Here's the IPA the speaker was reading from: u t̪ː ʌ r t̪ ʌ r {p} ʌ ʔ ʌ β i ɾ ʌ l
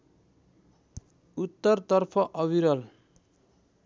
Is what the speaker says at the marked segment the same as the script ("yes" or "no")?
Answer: no